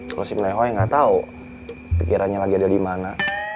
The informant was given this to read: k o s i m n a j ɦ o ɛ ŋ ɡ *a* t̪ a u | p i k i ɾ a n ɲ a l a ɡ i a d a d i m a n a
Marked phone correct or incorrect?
correct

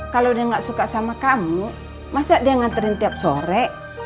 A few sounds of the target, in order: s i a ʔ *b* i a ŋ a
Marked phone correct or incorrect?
incorrect: d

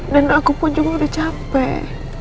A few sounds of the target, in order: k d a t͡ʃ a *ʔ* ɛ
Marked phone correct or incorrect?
incorrect: p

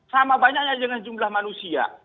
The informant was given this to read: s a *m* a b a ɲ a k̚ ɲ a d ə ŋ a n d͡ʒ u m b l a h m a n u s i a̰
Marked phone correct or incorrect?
correct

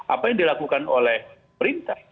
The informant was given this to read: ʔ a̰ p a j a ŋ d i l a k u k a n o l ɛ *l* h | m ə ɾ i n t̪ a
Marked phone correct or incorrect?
incorrect: none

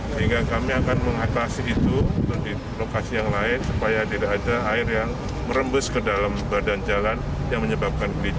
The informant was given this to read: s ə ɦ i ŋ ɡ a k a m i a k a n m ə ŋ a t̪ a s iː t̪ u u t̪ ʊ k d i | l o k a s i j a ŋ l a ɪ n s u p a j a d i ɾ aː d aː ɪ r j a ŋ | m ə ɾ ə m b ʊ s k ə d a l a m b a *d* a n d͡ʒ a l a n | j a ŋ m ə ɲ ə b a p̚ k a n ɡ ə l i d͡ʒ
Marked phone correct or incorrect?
correct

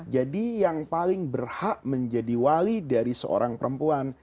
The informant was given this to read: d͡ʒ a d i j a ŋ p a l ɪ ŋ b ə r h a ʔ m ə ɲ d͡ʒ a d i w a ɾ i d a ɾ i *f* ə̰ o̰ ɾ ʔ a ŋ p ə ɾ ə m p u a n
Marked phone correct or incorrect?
incorrect: s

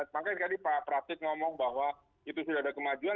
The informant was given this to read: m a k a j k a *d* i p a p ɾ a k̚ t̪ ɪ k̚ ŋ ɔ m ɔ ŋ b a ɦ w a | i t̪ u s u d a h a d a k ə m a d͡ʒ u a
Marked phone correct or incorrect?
correct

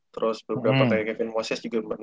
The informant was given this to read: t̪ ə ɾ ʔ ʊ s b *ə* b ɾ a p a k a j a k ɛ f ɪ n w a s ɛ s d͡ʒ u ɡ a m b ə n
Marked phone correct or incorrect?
correct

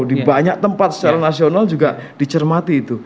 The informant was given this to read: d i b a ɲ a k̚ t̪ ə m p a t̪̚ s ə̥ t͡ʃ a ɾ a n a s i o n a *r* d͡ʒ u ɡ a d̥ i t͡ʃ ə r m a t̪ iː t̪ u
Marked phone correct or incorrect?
incorrect: l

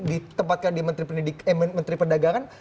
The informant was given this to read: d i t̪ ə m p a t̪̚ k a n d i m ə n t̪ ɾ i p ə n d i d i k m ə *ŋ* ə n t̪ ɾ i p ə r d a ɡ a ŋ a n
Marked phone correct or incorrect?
incorrect: m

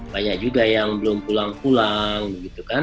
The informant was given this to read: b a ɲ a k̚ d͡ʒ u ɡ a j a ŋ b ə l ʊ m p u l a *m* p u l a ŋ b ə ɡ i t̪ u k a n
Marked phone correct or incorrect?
incorrect: ŋ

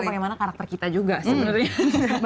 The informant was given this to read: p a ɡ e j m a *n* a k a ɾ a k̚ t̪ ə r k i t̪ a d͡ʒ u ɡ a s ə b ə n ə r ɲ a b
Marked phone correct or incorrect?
correct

